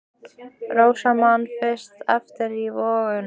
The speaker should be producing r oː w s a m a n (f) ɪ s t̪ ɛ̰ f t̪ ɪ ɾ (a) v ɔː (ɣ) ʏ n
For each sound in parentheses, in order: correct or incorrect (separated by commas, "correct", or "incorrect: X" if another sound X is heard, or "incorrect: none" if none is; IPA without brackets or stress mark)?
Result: correct, incorrect: i, correct